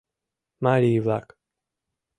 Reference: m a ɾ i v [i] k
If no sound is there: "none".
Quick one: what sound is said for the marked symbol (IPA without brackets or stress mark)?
a